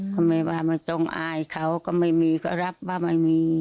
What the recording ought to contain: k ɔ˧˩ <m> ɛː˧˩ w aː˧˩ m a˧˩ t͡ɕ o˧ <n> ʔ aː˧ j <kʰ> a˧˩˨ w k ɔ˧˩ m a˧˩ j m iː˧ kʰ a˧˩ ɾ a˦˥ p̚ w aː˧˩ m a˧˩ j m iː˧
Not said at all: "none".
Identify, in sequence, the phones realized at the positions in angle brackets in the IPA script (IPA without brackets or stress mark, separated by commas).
m, ŋ, kʰ